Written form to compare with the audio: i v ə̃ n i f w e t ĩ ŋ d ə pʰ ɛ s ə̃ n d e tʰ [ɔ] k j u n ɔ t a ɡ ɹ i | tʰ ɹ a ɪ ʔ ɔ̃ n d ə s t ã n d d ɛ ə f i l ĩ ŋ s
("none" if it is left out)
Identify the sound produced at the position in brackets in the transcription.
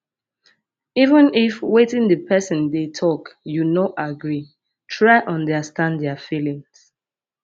ɔ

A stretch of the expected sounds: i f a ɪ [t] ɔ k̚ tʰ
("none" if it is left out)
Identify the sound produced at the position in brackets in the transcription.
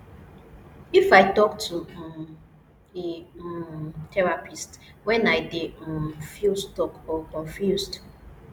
t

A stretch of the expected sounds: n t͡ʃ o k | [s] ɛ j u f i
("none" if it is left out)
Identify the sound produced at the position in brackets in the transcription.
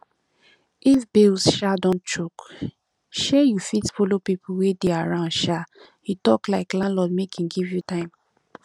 ʃ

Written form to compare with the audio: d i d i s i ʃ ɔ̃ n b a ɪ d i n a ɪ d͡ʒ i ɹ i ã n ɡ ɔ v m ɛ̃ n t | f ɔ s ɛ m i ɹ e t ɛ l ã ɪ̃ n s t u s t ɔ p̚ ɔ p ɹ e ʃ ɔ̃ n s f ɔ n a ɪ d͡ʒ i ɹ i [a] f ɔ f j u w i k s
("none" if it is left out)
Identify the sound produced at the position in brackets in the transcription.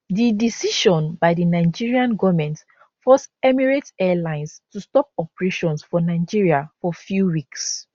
a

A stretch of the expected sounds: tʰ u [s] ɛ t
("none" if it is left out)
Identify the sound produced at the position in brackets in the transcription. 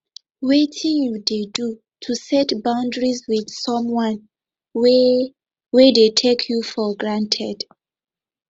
s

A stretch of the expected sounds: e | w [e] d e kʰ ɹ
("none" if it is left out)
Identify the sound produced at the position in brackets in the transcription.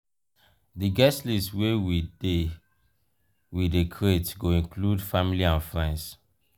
i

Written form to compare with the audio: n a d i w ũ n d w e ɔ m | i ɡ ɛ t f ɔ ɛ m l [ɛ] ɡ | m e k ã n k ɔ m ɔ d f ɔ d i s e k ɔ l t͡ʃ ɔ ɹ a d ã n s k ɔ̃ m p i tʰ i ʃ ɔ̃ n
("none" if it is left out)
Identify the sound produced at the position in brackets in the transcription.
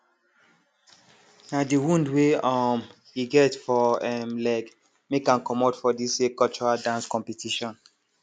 ɛ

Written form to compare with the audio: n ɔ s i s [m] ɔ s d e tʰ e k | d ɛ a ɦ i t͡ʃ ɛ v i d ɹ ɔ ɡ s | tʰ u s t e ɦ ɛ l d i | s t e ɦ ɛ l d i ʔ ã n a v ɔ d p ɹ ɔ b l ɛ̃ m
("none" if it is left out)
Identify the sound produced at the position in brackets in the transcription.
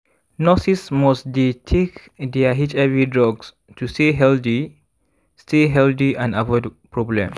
m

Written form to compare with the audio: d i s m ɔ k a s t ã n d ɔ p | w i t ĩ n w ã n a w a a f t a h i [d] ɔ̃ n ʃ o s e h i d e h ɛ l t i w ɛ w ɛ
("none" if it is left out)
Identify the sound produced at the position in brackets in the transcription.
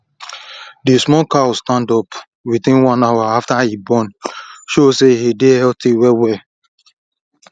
b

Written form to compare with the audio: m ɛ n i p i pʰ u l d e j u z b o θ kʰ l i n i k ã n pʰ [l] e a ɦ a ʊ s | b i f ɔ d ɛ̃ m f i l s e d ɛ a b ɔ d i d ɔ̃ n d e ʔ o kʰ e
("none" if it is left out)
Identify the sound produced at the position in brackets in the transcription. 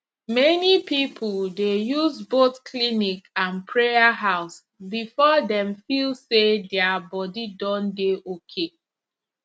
ɹ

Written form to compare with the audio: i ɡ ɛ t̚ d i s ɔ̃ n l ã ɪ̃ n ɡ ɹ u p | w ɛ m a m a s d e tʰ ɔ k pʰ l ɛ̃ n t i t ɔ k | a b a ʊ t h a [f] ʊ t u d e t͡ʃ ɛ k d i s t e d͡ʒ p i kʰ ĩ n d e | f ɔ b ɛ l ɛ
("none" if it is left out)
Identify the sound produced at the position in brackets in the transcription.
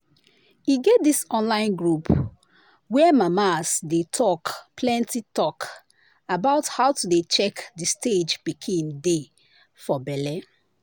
none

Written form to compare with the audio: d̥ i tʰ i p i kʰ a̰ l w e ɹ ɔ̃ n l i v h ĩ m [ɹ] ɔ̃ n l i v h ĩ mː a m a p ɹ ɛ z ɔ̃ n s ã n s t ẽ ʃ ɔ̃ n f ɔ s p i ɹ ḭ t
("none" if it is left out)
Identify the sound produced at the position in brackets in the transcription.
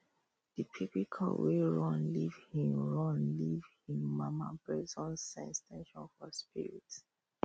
ɹ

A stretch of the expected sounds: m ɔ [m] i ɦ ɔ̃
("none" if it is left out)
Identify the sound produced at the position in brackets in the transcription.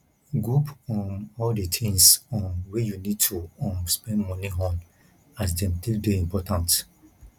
n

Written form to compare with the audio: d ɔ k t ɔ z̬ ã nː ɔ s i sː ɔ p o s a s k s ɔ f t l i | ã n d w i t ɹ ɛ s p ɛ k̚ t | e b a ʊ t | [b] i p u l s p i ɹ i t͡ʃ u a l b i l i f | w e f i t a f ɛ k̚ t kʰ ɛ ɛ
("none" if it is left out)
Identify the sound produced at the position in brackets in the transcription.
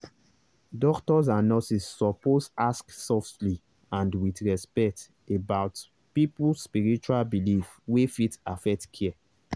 p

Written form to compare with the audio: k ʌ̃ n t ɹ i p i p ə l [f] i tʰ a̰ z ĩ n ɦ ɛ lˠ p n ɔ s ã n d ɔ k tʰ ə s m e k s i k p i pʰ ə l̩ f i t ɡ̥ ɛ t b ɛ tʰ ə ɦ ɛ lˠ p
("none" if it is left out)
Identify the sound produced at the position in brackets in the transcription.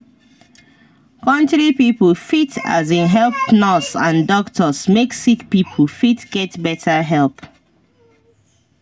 f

